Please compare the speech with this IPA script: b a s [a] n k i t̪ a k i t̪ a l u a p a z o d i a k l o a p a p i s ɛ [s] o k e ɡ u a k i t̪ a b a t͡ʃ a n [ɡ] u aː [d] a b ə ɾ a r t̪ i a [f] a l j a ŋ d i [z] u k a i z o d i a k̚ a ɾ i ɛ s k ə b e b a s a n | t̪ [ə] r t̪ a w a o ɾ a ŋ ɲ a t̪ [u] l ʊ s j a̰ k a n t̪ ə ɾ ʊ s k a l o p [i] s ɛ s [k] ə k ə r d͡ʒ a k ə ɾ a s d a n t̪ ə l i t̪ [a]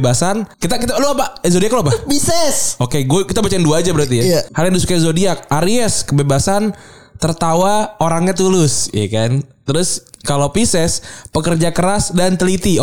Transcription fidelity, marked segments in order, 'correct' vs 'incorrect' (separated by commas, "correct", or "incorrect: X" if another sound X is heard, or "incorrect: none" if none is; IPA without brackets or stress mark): correct, correct, incorrect: d, incorrect: d͡ʒ, incorrect: h, incorrect: s, correct, correct, correct, incorrect: p, incorrect: i